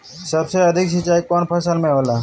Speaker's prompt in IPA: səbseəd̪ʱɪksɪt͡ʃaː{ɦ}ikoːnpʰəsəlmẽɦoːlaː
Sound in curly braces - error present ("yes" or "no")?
yes